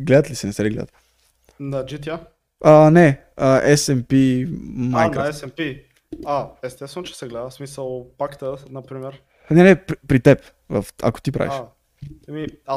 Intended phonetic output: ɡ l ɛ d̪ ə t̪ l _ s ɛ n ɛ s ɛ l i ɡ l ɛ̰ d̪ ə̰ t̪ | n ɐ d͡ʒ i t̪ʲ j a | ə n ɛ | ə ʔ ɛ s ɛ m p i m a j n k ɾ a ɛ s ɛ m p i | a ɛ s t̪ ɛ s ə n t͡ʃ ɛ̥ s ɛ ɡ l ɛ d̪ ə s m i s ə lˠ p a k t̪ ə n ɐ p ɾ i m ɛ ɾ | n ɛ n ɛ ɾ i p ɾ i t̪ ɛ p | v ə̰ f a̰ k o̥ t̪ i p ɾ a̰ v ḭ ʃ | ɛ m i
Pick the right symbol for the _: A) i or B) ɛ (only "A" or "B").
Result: A